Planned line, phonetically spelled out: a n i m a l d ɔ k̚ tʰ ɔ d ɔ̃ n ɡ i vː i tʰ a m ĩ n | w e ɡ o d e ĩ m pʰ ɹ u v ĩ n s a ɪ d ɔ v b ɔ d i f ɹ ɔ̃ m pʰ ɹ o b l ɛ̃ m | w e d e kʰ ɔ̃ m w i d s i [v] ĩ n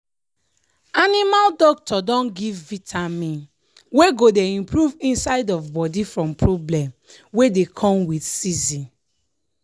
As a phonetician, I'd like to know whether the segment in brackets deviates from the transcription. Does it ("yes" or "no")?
yes